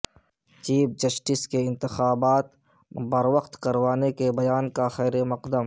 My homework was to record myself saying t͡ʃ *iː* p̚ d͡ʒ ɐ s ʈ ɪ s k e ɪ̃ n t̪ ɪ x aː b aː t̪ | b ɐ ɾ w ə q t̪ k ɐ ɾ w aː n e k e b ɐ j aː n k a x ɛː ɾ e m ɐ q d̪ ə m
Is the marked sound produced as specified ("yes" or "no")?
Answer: yes